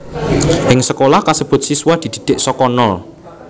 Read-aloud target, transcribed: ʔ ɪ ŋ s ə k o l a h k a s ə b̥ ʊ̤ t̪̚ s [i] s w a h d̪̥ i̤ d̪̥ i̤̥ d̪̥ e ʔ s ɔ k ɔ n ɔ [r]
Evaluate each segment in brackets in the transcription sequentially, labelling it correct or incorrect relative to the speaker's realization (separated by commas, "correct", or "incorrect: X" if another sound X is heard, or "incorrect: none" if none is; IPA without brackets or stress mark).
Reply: correct, incorrect: l